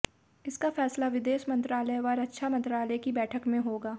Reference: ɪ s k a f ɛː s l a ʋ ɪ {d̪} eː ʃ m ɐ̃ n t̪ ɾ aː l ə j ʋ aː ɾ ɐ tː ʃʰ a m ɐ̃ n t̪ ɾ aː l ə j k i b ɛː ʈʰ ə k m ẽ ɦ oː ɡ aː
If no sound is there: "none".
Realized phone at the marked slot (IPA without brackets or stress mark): d̪